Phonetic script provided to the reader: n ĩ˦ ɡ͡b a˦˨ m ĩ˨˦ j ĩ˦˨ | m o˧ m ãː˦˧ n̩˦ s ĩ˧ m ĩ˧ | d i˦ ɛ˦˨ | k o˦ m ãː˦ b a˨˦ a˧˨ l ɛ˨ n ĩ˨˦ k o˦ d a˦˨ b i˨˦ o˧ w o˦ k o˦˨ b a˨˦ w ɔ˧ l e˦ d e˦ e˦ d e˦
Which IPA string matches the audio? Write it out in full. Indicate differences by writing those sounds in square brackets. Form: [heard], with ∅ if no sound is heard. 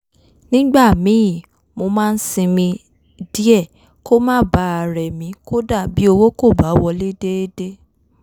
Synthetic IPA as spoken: n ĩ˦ ɡ͡b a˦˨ m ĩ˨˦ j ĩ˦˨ | m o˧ m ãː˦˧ n̩˦ s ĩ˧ m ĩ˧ | d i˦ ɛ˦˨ | k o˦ m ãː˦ b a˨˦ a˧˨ [ɾ] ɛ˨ [m] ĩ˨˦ k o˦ d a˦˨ b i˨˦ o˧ w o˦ k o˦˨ b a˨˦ w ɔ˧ l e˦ d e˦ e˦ d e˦